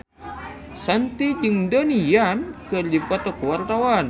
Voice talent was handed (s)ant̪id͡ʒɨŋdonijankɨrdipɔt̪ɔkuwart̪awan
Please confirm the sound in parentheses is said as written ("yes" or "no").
yes